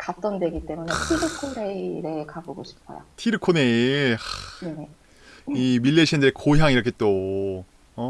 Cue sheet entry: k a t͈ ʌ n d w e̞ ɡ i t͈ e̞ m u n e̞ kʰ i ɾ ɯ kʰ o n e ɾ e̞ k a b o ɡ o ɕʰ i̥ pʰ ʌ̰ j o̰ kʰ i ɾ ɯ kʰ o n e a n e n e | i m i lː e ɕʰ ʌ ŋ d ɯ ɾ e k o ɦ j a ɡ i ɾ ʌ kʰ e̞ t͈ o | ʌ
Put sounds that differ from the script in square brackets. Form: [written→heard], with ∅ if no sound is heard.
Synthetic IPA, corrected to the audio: k a t͈ ʌ n d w e̞ ɡ i t͈ e̞ m u n e̞ [kʰ→tʰ] i ɾ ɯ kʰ o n e ɾ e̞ k a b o ɡ o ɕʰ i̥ pʰ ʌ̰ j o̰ [kʰ→tʰ] i ɾ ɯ kʰ o n e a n e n e | i m i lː e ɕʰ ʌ [ŋ→n] d ɯ ɾ e k o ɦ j a [ɡ→ŋ] i ɾ ʌ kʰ e̞ t͈ o | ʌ